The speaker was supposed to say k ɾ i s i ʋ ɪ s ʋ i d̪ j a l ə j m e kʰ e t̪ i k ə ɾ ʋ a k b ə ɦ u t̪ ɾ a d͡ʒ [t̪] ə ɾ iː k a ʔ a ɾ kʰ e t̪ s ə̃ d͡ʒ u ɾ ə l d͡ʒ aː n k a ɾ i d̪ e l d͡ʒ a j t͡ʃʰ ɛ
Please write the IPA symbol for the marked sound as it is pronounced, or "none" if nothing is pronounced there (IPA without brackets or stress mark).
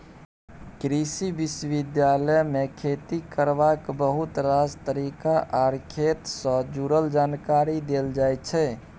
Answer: t̪